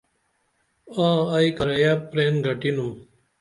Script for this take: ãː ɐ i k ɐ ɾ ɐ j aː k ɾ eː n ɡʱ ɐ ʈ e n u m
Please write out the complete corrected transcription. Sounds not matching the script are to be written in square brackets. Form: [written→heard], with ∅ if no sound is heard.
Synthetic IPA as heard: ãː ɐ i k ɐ ɾ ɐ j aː [k→p] ɾ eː n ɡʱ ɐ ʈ [e→i] n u m